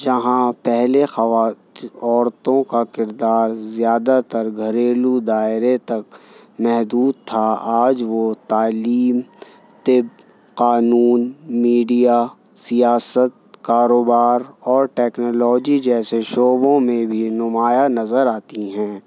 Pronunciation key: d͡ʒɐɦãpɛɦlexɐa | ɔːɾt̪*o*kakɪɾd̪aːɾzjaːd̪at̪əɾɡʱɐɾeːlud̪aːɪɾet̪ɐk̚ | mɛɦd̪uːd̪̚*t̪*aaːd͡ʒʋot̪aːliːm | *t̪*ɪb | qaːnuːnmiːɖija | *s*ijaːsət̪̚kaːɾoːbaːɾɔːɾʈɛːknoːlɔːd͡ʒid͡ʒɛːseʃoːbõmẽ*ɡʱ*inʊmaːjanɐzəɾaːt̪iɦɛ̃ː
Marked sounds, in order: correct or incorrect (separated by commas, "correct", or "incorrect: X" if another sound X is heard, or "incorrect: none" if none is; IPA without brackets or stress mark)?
incorrect: õ, incorrect: t̪ʰ, correct, correct, incorrect: bʱ